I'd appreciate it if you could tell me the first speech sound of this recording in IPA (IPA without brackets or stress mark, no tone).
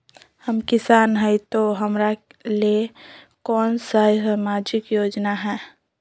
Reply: h